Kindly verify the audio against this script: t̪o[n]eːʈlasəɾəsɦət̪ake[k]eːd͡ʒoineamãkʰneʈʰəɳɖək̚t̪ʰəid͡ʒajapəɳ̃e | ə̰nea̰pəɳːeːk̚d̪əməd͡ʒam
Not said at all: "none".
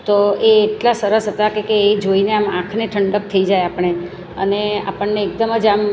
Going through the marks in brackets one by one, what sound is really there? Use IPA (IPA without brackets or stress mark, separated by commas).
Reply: none, k